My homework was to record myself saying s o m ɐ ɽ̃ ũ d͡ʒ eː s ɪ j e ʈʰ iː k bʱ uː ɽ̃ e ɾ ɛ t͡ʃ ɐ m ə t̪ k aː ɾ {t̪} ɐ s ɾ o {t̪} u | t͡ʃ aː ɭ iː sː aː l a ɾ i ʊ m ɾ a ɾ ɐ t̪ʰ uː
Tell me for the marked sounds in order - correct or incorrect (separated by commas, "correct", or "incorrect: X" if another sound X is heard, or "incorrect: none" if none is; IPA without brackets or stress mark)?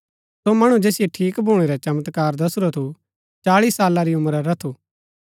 incorrect: d̪, incorrect: t̪ʰ